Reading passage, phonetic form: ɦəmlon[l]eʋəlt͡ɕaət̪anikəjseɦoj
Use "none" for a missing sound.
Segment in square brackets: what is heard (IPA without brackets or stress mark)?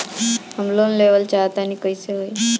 l